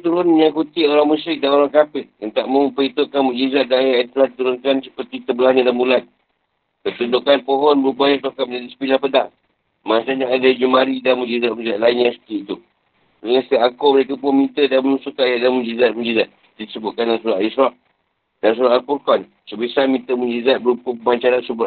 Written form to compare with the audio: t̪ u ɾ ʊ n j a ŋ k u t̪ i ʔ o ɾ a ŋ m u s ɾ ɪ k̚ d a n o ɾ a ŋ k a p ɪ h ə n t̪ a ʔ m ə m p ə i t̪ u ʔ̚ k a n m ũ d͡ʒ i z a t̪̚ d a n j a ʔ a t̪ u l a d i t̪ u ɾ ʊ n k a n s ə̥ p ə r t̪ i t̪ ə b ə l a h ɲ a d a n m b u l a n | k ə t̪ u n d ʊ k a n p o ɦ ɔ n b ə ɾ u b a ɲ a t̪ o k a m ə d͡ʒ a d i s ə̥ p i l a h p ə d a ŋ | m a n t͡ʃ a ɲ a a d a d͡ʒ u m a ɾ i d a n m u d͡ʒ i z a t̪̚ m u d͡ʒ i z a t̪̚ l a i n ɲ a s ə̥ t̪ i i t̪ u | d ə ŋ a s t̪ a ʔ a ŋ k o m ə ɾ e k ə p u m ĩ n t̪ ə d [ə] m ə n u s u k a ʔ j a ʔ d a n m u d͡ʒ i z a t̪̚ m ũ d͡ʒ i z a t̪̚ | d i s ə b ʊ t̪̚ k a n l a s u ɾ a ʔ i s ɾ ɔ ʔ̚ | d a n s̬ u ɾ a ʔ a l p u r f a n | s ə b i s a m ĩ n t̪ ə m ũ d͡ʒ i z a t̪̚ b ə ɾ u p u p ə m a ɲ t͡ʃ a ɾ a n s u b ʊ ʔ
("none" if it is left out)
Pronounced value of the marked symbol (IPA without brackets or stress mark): a